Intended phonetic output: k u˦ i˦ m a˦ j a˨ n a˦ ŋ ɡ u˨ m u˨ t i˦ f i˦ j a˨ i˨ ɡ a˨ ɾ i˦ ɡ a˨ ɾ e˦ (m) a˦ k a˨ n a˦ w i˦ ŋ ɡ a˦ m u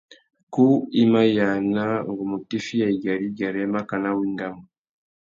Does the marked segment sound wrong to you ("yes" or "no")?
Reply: no